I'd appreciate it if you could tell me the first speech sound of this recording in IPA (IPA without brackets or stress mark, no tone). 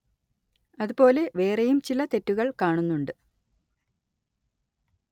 ɐ